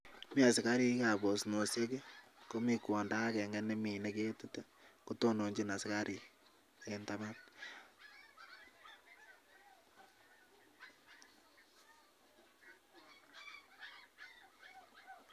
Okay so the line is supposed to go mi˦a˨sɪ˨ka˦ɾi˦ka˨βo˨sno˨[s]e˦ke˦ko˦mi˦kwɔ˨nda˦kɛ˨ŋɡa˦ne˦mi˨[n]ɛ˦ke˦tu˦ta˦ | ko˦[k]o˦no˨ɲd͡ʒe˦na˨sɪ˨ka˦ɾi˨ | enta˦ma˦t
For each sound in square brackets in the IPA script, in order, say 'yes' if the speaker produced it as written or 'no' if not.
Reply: yes, yes, no

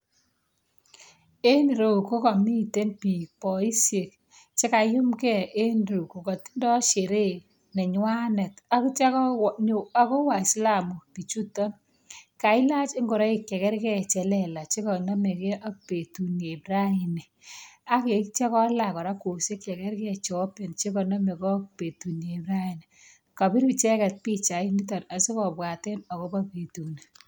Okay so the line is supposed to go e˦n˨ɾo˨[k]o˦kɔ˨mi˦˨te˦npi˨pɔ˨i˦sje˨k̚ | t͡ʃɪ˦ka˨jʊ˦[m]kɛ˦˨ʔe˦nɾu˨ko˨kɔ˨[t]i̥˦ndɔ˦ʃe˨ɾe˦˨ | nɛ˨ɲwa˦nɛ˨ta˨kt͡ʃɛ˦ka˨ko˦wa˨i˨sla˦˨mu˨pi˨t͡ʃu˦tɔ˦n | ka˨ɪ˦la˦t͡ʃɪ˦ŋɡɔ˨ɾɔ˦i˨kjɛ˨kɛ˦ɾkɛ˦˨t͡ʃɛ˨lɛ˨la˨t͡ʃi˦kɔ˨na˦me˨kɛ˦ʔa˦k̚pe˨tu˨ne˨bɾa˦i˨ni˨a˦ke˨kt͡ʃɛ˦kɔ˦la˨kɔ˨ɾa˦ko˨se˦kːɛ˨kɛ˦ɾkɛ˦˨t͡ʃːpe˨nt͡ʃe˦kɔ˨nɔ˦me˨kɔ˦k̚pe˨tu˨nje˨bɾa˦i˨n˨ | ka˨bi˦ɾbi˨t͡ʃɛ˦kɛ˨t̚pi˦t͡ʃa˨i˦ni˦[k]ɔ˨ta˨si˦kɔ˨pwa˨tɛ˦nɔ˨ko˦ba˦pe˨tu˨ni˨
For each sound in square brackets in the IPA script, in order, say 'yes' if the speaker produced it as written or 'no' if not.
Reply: yes, yes, yes, no

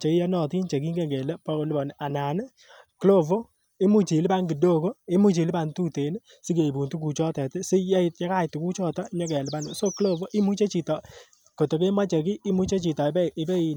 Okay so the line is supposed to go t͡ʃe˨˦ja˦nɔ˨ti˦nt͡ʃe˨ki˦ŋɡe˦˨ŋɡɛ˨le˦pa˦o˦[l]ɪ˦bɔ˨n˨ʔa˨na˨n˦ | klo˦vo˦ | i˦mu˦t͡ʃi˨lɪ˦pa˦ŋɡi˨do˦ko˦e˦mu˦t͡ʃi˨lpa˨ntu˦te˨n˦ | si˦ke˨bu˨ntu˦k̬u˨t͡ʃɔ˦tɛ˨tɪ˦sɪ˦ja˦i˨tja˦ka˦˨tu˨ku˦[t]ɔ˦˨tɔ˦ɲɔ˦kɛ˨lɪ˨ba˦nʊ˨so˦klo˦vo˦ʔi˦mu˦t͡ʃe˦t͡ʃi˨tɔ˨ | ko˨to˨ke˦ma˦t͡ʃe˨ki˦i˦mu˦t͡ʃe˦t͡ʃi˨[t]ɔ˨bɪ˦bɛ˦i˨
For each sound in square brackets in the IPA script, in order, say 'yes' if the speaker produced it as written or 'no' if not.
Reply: yes, no, yes

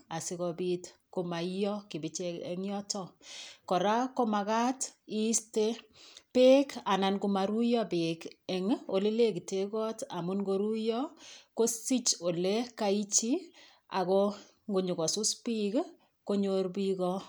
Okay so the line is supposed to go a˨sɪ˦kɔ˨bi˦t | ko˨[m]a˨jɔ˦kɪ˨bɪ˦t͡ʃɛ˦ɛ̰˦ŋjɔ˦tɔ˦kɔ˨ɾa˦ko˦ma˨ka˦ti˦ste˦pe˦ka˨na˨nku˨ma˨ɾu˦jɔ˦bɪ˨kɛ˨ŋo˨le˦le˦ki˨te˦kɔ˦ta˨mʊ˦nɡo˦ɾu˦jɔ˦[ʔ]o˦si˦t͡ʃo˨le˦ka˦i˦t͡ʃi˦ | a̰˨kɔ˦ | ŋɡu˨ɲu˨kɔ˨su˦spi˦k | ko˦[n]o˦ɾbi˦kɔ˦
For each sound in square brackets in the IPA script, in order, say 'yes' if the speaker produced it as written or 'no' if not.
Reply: yes, no, no

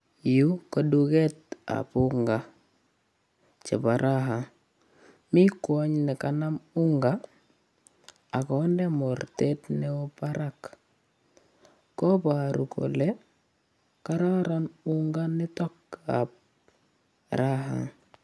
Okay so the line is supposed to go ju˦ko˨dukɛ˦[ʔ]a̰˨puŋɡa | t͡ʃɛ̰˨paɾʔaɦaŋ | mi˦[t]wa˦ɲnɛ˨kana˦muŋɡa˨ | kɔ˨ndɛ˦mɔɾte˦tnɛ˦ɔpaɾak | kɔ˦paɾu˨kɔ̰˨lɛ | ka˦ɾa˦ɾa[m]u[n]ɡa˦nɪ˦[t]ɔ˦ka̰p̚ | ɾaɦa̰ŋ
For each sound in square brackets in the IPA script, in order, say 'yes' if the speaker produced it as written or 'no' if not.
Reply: no, no, no, no, yes

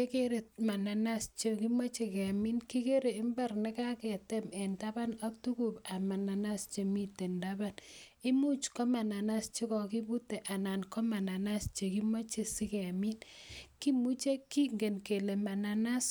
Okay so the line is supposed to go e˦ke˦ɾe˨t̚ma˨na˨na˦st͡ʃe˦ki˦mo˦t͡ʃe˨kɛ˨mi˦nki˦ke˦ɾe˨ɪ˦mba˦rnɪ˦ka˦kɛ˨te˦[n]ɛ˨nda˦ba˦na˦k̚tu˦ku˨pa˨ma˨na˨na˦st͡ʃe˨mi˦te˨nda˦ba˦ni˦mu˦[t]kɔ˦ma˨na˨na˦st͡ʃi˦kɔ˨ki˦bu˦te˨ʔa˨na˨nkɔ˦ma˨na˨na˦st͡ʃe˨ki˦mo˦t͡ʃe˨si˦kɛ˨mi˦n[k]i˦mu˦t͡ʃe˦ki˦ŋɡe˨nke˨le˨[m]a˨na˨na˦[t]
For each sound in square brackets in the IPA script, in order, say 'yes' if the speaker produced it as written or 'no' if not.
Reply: no, no, yes, yes, no

